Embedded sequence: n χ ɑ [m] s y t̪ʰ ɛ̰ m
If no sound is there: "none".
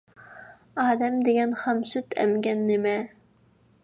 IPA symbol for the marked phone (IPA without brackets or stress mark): m